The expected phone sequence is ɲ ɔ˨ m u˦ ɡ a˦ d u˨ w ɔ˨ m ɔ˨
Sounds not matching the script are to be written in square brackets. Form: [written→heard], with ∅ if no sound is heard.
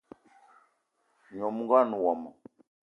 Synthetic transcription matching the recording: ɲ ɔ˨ m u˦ ɡ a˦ [d→n] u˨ w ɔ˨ m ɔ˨